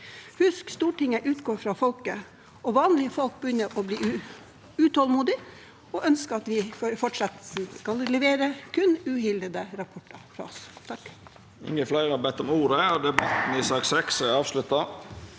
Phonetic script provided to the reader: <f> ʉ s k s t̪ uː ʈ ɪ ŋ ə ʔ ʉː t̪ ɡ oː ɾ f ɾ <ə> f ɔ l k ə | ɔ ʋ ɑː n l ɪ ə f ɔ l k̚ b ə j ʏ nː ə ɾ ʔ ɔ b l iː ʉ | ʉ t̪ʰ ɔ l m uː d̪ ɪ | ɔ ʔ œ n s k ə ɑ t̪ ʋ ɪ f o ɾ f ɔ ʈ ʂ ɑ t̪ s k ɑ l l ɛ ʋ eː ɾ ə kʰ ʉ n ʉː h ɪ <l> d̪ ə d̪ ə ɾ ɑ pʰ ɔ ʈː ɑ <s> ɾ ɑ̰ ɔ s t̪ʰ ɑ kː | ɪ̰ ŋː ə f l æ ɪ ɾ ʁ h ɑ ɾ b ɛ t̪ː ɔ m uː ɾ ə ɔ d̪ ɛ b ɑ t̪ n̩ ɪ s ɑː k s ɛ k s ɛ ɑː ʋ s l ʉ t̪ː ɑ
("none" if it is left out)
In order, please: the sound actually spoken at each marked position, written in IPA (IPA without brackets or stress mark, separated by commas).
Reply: h, ɑ, l, f